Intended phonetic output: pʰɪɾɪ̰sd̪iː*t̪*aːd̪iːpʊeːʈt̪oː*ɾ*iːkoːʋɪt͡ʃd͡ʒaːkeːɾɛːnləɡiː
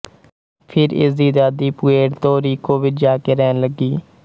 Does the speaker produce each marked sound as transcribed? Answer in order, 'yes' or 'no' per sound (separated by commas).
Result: no, yes